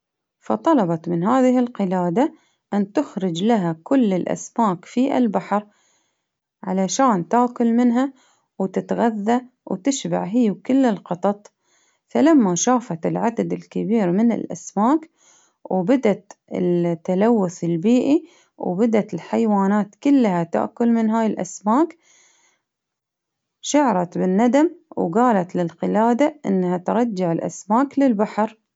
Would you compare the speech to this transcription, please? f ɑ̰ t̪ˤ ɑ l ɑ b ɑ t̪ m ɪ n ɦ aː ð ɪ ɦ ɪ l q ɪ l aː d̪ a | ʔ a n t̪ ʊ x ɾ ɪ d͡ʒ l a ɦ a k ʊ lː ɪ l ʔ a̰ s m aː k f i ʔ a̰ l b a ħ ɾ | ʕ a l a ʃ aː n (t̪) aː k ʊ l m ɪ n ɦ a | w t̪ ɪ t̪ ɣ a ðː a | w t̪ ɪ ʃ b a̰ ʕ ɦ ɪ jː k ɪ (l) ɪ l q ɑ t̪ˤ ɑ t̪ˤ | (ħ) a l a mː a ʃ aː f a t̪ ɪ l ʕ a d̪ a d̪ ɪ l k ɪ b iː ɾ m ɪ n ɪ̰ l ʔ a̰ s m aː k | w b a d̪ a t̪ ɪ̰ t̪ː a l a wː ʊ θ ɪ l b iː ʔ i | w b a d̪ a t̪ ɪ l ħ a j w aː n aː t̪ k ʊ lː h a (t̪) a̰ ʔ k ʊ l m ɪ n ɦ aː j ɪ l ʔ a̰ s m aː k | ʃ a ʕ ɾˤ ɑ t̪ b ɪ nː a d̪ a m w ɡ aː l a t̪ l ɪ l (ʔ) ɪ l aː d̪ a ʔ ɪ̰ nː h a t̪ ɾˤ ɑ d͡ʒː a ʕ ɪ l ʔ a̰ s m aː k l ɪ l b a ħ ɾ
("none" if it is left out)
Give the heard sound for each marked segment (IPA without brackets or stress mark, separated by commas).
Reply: t̪, lː, f, t̪, q